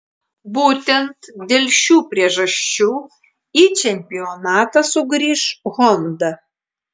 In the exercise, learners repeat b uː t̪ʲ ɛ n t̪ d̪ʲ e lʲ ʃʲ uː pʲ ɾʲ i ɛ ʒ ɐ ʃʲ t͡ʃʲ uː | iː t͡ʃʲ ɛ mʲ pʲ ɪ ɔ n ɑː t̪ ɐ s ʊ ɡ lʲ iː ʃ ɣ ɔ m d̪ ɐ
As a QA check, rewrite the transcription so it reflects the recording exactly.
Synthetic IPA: b uː t̪ʲ ɛ n t̪ d̪ʲ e lʲ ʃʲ uː pʲ ɾʲ i ɛ ʒ ɐ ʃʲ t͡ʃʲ uː | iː t͡ʃʲ ɛ mʲ pʲ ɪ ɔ n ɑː t̪ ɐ s ʊ ɡ ɾʲ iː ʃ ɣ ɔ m d̪ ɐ